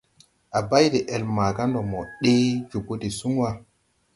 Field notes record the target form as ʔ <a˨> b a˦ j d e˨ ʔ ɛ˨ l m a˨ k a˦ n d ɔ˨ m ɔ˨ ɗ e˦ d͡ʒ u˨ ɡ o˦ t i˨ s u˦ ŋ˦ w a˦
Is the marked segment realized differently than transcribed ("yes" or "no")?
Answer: no